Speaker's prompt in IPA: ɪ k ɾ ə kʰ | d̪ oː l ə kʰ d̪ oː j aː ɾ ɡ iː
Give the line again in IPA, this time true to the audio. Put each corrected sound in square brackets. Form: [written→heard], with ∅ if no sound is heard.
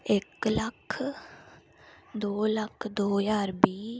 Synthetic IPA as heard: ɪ k [ɾ→l] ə kʰ | d̪ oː l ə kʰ d̪ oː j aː ɾ [ɡ→b] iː